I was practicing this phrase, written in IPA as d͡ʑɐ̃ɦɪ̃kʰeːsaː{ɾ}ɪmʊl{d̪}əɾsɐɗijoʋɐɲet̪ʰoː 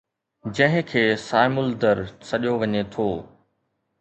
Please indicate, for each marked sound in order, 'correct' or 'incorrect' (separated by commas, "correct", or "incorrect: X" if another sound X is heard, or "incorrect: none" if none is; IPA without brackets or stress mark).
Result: incorrect: none, correct